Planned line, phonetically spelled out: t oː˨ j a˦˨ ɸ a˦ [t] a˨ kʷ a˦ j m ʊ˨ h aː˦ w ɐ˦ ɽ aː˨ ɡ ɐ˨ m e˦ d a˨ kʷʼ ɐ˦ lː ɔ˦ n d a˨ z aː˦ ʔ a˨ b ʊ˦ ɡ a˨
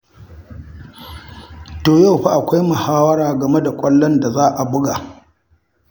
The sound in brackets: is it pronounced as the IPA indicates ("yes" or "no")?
no